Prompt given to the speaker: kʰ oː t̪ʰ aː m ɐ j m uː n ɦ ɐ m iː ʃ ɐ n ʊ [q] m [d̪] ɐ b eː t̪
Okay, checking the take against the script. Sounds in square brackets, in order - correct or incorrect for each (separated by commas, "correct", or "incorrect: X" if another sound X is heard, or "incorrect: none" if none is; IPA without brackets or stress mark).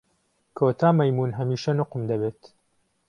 correct, correct